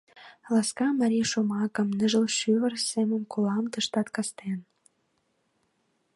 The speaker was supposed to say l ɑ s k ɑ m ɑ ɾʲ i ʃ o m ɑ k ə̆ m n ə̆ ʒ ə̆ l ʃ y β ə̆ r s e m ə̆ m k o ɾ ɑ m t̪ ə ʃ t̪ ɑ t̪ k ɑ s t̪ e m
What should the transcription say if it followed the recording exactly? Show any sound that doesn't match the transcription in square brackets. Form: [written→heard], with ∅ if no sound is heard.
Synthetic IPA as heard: l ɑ s k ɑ m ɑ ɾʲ i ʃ o m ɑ k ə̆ m n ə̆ ʒ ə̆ l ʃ y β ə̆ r s e m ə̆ m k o [ɾ→l] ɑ m t̪ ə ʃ t̪ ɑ t̪ k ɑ s t̪ e [m→n]